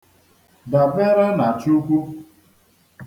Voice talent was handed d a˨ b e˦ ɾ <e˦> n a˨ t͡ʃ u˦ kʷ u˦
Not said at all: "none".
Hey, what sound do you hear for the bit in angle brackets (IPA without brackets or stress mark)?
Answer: a˦